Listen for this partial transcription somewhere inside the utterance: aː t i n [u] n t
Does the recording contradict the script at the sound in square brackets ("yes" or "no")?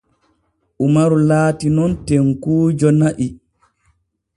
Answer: yes